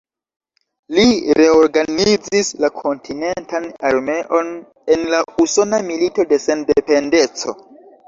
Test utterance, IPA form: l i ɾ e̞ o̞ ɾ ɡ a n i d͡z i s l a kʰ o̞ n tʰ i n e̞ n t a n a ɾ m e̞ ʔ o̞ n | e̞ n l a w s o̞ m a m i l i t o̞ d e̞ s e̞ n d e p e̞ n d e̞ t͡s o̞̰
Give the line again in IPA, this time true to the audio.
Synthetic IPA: l i ɾ e̞ o̞ ɾ ɡ a n i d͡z i s l a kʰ o̞ n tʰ i n e̞ n t a n a ɾ m e̞ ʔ o̞ n | e̞ n l a u s o̞ n a m i l i t o̞ d e̞ s e̞ n d e p e̞ n d e̞ t͡s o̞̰